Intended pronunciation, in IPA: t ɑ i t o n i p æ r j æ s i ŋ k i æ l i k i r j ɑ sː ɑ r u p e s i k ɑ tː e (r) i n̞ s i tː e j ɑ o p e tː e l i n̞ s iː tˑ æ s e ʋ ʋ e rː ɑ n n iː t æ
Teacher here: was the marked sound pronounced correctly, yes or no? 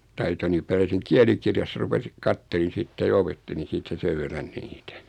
no